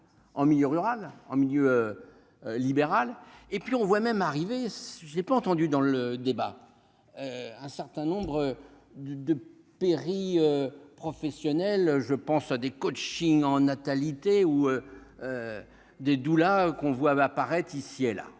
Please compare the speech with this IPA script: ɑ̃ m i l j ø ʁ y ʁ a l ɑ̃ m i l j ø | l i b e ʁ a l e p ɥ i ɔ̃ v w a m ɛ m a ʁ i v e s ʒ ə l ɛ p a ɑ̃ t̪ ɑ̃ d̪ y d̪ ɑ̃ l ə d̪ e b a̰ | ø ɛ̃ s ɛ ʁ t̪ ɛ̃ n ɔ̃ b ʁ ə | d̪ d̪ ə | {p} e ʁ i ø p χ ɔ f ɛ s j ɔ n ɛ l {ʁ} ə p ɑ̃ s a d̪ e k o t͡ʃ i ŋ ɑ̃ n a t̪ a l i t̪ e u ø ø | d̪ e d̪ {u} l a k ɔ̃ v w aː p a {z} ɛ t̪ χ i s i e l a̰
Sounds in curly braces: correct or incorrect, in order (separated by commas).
correct, incorrect, correct, incorrect